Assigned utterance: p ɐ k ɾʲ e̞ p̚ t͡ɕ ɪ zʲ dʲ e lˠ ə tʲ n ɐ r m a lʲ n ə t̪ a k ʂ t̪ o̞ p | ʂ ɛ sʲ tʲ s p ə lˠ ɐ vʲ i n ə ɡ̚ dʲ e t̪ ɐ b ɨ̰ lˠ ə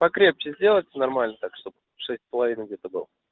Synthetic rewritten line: p ɐ k ɾʲ e̞ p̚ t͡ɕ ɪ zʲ dʲ e lˠ ə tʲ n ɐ r m a lʲ n ə t̪ a k ʂ t̪ o̞ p | ʂ ɛ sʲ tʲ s p ə lˠ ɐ vʲ i n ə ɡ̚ dʲ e t̪ ə b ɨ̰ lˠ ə